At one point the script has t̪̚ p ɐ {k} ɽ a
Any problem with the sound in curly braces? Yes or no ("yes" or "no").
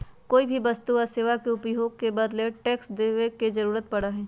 yes